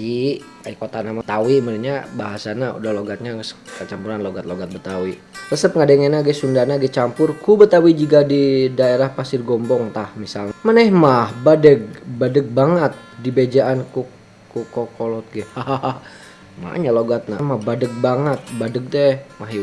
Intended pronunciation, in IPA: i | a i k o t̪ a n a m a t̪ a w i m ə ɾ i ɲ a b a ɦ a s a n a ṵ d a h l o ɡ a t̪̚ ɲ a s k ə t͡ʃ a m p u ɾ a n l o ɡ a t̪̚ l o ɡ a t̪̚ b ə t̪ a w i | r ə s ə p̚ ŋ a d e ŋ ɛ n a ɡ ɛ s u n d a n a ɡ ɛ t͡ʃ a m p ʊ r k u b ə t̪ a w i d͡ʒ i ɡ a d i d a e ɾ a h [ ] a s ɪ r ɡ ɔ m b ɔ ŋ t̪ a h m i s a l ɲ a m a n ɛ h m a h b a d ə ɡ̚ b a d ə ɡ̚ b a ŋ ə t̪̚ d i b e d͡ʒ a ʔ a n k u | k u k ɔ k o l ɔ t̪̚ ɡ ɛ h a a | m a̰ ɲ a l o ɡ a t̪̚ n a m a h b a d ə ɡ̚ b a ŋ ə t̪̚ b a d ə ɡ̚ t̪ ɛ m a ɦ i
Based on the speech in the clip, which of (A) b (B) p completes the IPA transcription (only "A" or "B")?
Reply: B